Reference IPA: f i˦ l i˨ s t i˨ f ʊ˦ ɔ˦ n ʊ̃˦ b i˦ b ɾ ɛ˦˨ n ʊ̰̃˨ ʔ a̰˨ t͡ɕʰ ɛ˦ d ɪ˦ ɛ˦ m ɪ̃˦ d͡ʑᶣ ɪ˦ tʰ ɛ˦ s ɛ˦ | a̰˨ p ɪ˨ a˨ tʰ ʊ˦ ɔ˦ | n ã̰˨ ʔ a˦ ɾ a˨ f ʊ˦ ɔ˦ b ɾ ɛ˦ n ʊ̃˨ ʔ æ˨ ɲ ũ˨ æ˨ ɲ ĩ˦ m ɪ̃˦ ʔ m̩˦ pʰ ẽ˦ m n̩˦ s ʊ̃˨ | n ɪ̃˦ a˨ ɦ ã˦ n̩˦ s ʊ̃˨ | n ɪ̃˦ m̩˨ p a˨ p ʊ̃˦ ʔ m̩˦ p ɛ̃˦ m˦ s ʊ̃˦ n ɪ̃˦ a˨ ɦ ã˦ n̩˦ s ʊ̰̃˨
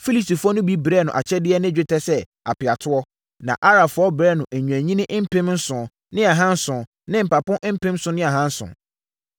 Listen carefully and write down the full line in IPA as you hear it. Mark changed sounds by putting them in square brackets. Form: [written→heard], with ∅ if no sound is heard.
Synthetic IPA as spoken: f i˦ l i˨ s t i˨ f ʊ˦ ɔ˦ n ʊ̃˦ b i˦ b ɾ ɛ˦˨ n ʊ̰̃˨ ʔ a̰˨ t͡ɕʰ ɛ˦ d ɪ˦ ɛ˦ [m→n] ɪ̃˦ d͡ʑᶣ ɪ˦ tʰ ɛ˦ s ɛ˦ | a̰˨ p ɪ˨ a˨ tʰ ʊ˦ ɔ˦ | n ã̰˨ ʔ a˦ ɾ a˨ f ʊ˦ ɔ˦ b ɾ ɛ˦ n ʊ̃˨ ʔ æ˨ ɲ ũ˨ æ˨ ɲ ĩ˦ [m→n] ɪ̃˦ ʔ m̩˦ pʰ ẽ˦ m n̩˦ s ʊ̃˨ | n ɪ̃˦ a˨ ɦ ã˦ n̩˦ s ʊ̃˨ | n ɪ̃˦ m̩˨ p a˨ p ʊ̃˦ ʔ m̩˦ p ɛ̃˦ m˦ s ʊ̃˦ n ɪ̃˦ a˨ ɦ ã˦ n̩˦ s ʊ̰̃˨

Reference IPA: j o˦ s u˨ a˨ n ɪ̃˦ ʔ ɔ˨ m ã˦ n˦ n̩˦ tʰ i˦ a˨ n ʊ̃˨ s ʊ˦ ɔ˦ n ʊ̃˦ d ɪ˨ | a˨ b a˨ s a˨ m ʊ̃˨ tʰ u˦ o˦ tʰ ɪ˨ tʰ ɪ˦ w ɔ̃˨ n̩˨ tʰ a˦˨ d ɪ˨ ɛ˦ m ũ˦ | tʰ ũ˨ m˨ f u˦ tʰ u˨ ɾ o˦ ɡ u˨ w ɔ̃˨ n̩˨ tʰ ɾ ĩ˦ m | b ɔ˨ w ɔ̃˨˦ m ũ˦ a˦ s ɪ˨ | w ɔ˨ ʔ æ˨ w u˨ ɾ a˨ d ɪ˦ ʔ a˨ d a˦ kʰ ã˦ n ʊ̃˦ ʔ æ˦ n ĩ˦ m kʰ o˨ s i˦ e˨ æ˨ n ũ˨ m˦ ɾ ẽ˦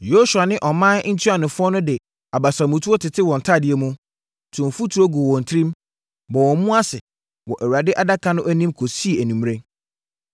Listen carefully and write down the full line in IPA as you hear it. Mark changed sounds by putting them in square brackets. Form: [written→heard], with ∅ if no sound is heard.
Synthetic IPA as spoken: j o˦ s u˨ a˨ n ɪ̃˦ ʔ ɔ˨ m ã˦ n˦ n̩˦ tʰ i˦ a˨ n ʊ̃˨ [s→f] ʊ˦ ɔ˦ n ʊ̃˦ d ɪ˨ | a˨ b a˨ s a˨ m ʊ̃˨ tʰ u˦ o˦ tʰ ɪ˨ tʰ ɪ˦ w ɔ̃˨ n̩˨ tʰ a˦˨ d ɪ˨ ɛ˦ m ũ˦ | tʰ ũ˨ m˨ f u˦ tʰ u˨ ɾ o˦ ɡ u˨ w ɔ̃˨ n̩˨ tʰ ɾ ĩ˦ m | b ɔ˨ w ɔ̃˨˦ m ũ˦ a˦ s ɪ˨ | w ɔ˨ ʔ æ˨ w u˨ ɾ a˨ d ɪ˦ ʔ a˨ d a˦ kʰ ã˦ n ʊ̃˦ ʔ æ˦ n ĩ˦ m kʰ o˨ s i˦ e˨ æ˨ n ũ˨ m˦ ɾ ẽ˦

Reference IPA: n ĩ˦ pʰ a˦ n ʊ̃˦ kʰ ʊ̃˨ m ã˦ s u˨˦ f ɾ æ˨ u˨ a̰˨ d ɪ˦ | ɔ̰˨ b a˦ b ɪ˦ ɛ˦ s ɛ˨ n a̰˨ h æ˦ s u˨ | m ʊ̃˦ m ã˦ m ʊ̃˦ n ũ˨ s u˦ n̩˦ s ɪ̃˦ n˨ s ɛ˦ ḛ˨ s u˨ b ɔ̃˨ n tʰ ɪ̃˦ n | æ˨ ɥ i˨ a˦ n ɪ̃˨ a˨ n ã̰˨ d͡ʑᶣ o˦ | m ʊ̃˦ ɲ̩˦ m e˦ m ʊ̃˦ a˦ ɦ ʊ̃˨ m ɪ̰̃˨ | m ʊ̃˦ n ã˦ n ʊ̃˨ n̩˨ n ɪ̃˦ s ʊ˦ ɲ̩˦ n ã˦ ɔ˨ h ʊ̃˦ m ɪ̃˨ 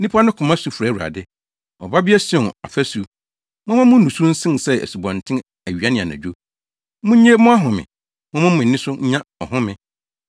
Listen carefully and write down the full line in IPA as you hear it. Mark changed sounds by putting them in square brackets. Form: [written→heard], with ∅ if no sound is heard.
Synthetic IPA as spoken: n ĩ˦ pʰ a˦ n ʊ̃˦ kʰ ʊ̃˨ m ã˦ s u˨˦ f ɾ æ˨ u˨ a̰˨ d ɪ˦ | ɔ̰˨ b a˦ b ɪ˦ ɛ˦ s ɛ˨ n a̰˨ [h→f] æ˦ s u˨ | m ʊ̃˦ m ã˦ m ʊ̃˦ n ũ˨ s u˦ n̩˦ s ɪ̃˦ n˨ s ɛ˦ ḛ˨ s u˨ b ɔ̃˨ n tʰ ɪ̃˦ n | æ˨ ɥ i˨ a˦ n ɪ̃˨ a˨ n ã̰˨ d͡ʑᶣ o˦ | m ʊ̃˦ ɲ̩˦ [m→ɲ] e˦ m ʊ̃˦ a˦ ɦ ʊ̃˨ m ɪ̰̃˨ | m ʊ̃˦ [n→m] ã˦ [n→m] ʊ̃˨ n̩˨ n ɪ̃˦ s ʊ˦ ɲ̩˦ [n→ɲ] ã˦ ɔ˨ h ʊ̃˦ m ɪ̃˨

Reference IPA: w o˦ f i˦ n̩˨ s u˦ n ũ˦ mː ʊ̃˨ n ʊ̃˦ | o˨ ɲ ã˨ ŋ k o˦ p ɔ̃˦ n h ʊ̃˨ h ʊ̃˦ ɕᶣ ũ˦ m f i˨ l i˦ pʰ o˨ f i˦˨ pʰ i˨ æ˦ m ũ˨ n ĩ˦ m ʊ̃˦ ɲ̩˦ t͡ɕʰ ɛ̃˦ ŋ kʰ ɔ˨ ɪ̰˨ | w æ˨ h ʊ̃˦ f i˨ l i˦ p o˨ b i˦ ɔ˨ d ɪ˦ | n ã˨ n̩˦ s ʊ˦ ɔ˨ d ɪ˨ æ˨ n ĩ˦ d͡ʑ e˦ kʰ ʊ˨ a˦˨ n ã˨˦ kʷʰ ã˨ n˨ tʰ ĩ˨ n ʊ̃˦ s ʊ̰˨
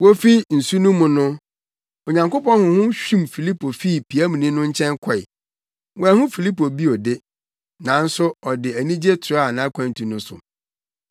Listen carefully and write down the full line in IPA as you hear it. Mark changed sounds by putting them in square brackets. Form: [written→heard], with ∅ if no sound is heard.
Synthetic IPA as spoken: w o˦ f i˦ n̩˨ s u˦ n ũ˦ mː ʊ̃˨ n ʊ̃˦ | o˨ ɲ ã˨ ŋ k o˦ p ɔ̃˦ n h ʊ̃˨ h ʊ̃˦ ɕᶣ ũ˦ m f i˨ l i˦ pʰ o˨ f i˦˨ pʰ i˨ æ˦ m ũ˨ n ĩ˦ [m→n] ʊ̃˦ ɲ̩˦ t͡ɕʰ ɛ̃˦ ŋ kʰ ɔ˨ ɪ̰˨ | w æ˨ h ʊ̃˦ f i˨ l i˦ p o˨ b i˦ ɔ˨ d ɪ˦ | n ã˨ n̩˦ s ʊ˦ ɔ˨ d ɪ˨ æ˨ n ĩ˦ d͡ʑ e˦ [kʰ→tʰ] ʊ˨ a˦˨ n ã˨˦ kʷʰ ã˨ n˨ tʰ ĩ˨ n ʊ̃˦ s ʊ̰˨

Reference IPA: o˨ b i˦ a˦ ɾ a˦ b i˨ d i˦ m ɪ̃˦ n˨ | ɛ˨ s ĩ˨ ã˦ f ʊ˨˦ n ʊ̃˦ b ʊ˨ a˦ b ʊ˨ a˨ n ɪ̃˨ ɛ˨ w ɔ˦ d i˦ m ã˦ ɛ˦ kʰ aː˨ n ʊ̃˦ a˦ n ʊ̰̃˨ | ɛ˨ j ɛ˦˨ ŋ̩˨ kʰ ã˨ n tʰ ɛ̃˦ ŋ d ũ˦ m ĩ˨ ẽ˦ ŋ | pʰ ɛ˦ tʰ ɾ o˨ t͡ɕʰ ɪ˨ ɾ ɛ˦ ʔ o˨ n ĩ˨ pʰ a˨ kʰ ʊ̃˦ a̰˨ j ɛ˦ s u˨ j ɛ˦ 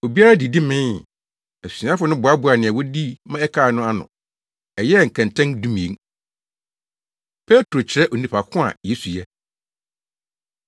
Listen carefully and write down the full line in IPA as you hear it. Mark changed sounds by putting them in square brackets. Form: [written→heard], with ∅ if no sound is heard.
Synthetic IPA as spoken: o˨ b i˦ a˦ ɾ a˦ [b→d] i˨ d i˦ m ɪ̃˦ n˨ | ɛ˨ s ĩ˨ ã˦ f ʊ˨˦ n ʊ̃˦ b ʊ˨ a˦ b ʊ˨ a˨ n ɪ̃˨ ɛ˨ w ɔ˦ d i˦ m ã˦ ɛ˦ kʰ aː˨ n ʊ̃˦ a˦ n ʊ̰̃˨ | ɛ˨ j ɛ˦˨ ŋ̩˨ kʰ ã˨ n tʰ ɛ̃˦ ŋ d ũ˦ m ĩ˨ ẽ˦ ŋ | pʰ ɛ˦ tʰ ɾ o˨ t͡ɕʰ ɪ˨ ɾ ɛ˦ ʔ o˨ n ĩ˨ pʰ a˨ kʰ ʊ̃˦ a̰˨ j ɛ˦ s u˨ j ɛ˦

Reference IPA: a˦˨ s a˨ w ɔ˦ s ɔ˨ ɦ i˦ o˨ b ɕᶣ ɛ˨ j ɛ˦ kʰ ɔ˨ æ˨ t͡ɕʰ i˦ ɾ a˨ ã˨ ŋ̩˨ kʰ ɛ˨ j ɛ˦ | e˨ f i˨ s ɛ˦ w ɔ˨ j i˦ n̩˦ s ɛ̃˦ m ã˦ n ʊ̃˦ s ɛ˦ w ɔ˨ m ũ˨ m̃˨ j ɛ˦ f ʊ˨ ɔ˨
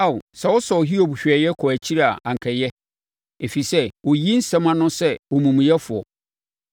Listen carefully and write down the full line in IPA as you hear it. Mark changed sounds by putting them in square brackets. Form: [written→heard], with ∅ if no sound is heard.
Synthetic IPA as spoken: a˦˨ s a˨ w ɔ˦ s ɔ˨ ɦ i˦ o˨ b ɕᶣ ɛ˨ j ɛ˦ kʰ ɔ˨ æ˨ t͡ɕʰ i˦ ɾ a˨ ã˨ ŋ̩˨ kʰ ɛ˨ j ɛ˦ | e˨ f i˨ s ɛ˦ w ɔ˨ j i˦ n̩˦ s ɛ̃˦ m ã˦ n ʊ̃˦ s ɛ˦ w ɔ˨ m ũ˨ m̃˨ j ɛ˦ f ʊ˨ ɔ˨

